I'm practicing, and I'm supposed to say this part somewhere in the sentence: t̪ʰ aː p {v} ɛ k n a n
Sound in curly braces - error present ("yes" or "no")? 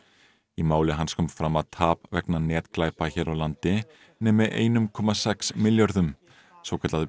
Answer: no